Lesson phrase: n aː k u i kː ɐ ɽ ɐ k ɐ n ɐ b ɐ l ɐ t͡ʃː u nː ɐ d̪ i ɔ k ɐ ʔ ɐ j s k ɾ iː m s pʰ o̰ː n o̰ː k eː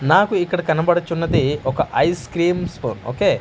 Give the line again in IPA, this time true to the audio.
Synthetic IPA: n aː k u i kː ɐ ɽ ɐ k ɐ n ɐ b ɐ ɽ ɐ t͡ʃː u nː ɐ d̪ i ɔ k ɐ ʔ ɐ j s k ɾ iː m s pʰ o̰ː n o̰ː k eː